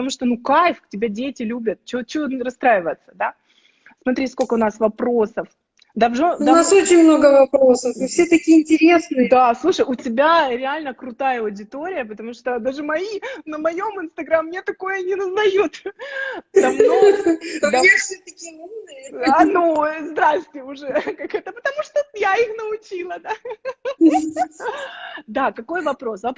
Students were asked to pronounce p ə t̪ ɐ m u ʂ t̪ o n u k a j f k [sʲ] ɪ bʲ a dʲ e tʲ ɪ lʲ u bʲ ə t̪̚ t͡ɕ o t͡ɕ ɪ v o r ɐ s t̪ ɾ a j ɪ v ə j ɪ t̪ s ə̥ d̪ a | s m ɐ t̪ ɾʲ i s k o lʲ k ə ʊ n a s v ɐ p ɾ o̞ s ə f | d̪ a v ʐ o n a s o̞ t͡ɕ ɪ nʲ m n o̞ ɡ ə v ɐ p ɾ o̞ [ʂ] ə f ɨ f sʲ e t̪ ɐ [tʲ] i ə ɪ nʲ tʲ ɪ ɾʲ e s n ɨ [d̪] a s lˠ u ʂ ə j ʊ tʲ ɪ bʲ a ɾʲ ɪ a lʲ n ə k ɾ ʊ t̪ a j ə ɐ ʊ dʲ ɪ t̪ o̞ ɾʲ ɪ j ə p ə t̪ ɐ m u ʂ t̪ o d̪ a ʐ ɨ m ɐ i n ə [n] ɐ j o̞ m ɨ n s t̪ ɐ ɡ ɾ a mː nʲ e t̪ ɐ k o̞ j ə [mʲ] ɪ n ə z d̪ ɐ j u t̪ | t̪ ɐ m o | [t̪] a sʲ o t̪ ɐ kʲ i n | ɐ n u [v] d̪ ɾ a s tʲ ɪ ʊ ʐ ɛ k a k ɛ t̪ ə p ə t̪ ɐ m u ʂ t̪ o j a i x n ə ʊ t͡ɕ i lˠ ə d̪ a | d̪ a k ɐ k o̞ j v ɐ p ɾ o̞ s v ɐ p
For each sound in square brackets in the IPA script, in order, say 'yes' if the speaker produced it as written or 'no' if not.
no, no, no, yes, no, no, no, no

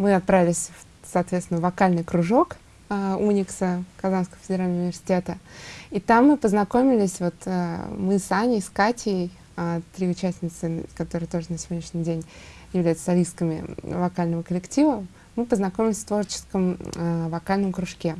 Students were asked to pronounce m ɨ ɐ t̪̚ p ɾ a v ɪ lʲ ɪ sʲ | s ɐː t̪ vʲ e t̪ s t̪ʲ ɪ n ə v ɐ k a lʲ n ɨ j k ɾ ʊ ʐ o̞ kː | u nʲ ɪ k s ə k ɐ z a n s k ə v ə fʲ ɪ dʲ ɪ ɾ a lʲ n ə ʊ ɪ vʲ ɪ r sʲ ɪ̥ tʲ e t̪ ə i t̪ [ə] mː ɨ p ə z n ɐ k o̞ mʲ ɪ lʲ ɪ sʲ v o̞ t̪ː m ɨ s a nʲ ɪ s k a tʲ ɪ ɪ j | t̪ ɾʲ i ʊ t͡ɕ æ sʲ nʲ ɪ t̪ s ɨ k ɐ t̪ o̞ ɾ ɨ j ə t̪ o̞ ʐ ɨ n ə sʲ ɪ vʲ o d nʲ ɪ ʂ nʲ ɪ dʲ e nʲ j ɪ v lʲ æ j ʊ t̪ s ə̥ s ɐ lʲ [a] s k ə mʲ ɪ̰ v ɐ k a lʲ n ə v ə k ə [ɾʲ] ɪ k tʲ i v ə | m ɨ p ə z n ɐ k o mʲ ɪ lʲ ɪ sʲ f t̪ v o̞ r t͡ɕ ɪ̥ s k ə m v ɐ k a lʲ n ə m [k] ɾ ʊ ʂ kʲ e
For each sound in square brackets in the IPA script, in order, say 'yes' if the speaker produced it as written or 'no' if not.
no, no, no, yes

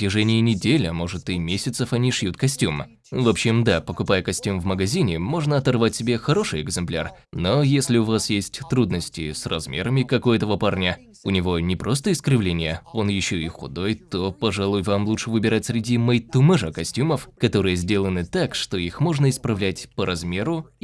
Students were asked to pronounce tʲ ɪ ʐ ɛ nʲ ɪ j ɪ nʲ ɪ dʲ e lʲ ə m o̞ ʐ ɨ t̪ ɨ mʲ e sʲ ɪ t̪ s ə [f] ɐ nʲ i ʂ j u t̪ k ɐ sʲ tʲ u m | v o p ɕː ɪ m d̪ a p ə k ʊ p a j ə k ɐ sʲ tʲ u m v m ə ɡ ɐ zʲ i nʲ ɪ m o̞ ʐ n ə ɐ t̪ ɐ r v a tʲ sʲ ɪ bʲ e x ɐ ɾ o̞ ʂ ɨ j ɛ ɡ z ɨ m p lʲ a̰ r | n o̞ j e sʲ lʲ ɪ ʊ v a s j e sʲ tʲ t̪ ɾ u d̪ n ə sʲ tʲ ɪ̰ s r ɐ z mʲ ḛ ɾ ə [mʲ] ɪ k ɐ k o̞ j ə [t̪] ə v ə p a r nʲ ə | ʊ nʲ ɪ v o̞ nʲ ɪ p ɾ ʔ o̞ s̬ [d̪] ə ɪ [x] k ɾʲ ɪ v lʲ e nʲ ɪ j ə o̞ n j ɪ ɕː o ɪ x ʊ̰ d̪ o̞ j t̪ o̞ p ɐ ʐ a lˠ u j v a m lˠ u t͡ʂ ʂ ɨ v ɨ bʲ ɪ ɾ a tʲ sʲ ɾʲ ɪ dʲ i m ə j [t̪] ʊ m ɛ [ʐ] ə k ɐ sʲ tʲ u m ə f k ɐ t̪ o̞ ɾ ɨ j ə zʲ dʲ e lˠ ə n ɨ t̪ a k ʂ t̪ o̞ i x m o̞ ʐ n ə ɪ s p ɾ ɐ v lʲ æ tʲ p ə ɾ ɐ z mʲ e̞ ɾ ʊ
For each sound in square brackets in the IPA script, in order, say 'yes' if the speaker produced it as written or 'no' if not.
yes, yes, yes, no, no, yes, yes

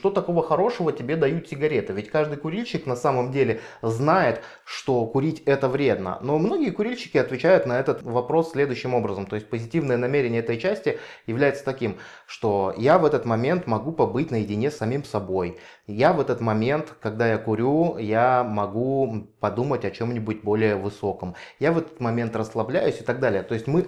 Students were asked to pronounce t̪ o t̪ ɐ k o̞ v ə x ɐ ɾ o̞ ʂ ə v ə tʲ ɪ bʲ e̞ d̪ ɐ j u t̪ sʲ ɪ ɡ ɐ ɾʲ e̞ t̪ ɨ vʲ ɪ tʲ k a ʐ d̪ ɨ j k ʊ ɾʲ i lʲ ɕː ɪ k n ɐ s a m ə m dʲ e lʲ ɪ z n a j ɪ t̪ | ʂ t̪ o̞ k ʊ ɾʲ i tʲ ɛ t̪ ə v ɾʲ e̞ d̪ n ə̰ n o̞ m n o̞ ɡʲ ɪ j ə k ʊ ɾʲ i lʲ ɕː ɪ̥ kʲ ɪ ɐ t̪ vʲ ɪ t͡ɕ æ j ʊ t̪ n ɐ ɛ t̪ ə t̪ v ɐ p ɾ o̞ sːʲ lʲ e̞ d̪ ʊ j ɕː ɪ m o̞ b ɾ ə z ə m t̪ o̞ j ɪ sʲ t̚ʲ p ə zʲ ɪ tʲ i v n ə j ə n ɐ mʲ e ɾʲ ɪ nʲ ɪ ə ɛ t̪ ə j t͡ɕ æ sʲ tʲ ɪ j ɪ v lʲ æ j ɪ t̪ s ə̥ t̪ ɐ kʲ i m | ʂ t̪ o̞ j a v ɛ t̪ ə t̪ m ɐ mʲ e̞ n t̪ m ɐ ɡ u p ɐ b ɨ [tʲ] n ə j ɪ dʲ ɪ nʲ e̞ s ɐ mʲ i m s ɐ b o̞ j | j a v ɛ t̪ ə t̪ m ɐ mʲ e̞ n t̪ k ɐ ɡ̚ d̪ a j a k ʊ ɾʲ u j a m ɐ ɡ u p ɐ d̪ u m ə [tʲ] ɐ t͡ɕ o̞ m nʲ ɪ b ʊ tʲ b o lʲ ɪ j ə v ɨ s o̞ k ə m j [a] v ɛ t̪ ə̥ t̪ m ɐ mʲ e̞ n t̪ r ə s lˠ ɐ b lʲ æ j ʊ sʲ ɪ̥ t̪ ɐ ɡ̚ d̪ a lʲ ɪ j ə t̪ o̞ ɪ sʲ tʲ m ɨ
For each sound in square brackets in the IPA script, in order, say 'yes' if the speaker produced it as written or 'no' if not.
yes, yes, yes

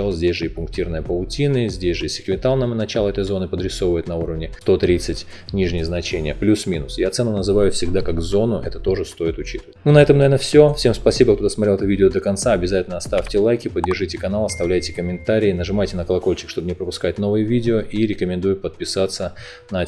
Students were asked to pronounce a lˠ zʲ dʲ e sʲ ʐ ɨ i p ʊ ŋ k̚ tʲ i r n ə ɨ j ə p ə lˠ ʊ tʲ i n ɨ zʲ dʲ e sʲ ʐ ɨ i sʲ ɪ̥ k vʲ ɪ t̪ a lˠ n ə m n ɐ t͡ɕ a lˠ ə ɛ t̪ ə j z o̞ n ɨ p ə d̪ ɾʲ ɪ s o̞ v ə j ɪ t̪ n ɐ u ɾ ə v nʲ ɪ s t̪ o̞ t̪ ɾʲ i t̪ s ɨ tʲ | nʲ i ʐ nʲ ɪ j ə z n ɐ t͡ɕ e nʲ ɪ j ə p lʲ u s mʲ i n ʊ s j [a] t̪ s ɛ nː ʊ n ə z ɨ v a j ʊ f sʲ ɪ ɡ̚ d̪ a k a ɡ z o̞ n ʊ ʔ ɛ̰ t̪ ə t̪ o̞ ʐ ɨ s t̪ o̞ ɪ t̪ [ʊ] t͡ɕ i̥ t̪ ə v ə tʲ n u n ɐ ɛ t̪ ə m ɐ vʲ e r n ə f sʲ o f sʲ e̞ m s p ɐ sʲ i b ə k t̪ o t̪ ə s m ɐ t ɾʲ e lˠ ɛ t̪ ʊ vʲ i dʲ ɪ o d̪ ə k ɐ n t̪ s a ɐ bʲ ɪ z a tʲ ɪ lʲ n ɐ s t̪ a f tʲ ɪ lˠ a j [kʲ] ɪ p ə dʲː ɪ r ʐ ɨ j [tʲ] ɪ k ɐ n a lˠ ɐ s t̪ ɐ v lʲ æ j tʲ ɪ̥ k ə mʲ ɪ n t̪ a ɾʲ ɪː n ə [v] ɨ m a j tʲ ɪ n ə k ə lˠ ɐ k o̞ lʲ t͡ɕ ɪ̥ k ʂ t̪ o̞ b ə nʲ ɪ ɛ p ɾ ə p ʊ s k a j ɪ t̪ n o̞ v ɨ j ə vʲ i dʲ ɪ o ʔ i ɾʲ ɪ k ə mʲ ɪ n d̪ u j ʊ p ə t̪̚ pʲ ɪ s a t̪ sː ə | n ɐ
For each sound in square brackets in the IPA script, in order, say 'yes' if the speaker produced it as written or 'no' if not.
yes, yes, yes, yes, no

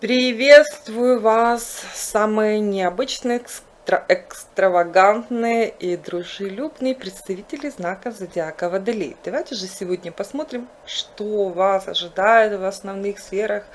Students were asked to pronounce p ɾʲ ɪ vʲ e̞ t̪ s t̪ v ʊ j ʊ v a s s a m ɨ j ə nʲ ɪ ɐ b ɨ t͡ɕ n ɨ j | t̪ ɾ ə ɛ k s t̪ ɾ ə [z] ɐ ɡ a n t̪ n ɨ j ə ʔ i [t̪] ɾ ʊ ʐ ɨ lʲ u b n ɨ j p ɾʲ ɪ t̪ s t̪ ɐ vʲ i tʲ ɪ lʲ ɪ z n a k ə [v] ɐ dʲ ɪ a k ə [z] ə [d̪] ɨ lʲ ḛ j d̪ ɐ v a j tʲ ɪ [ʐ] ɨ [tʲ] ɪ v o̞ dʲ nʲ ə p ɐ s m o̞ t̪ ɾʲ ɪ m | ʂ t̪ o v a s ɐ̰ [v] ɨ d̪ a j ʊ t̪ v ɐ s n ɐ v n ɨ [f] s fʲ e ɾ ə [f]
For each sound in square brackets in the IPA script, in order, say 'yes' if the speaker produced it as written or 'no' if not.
no, no, no, no, yes, yes, no, no, no, no

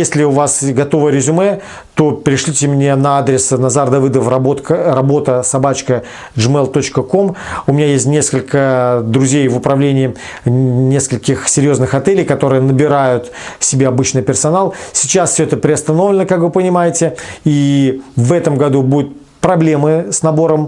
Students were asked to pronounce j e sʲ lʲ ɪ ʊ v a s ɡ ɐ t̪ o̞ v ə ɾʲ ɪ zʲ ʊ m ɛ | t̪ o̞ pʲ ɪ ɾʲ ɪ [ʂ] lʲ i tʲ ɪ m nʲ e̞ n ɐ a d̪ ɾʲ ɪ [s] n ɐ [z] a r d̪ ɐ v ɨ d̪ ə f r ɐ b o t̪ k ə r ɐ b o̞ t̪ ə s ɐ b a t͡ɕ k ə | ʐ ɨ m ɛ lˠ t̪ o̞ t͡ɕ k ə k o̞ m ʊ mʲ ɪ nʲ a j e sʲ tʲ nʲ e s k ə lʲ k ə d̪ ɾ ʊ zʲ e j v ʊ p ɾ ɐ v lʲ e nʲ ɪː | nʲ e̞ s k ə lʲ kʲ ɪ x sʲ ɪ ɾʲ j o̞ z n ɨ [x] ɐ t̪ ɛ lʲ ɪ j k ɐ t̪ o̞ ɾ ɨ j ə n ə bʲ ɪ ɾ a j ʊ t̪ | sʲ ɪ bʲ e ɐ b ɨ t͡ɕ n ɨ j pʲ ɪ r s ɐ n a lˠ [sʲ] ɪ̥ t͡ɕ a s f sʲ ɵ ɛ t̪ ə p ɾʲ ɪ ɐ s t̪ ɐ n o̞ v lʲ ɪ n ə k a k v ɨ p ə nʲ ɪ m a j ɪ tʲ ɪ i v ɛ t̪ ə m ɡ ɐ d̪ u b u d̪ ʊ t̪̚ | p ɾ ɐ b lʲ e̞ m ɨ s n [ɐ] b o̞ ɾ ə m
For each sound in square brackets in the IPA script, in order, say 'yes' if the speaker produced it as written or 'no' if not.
yes, yes, yes, yes, yes, yes

